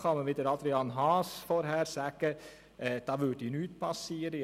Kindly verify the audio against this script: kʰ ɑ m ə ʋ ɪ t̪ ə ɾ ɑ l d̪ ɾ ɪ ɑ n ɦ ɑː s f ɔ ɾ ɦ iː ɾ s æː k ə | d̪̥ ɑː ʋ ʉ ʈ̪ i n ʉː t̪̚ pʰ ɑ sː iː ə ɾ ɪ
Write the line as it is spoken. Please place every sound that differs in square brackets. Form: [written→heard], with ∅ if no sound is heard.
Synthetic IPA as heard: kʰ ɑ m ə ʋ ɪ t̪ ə ɾ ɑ l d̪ ɾ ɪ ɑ n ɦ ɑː s f ɔ ɾ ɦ [iː→æː] ɾ s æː k ə | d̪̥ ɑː ʋ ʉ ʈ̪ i n ʉː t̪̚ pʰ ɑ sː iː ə ɾ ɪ